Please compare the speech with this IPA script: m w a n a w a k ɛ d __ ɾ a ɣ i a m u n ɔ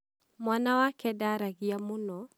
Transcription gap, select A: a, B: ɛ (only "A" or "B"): A